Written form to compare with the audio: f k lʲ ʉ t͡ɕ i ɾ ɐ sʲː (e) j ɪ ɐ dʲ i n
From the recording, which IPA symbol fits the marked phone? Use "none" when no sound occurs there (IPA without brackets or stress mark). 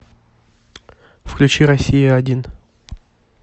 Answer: i